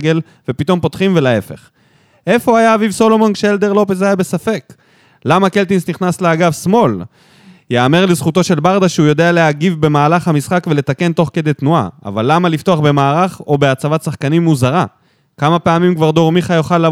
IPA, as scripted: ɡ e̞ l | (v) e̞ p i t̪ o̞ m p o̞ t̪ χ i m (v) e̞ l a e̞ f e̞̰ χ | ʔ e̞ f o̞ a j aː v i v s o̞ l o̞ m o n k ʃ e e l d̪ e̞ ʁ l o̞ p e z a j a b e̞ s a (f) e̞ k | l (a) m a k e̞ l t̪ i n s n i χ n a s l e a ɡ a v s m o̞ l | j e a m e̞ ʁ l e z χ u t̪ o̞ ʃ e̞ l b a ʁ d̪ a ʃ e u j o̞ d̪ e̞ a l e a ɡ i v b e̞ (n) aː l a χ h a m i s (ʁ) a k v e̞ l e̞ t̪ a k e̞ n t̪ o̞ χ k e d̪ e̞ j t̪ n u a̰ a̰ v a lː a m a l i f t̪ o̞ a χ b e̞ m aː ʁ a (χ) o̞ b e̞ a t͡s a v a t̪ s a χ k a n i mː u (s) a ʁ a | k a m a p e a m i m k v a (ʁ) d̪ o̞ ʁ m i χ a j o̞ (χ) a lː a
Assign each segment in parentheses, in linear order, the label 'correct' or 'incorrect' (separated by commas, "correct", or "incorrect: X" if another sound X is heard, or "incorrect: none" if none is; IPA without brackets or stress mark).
correct, correct, correct, correct, incorrect: m, incorrect: χ, correct, incorrect: z, correct, correct